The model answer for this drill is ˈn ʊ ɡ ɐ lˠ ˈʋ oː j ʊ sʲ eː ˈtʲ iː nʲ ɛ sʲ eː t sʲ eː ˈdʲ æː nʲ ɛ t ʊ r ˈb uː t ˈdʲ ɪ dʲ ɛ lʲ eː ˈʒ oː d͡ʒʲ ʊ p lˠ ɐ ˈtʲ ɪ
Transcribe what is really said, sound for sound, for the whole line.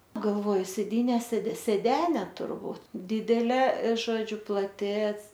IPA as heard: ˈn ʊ ɡ ɐ lˠ ˈʋ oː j ʊ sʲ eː ˈdʲ iː nʲ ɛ sʲ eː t sʲ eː ˈdʲ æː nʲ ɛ t ʊ r ˈb uː t ˈdʲ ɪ dʲ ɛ lʲ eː ˈʒ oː d͡ʒʲ ʊ p lˠ ɐ ˈtʲ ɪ